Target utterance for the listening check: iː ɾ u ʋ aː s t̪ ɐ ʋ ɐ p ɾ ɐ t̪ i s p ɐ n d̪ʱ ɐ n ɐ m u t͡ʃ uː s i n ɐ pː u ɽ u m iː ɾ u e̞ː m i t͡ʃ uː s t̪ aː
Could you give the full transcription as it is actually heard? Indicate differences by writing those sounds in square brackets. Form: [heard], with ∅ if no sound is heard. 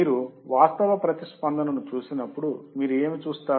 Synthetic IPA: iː ɾ u ʋ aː s t̪ ɐ ʋ ɐ p ɾ ɐ t̪ i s p ɐ n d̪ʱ ɐ n ɐ [n] u t͡ʃ uː s i n ɐ pː u ɽ u m iː ɾ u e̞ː m i t͡ʃ uː s t̪ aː